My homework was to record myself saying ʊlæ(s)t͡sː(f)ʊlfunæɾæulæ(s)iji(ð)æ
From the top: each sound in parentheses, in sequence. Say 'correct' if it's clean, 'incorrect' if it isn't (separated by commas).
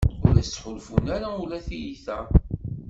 correct, incorrect, incorrect, incorrect